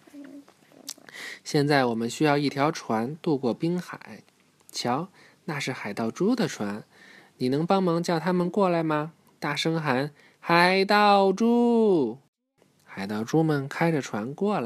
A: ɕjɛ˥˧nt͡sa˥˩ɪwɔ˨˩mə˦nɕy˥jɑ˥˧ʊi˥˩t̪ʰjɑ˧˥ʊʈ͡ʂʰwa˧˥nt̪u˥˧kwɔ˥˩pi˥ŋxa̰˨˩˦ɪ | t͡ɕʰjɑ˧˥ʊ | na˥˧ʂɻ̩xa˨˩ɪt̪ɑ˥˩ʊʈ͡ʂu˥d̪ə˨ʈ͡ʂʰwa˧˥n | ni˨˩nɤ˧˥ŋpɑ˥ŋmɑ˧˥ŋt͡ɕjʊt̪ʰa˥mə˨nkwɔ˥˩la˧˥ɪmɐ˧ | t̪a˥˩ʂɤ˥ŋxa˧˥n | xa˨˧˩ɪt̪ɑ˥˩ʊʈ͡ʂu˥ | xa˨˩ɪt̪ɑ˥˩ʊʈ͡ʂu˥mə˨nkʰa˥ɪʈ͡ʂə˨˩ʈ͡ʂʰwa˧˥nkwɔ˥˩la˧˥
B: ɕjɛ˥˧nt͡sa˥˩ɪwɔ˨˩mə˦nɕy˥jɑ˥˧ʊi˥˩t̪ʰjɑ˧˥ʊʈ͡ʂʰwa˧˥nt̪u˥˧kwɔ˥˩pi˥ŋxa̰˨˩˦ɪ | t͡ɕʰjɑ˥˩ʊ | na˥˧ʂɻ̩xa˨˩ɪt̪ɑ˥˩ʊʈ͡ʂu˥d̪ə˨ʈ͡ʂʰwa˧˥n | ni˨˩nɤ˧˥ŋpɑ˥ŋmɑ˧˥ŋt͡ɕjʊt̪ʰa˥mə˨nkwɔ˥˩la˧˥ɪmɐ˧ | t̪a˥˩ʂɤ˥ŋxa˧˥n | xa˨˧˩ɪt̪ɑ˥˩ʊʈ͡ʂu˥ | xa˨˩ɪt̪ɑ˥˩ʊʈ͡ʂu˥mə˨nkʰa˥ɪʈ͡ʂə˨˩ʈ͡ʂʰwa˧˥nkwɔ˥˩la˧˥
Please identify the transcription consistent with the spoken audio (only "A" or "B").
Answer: A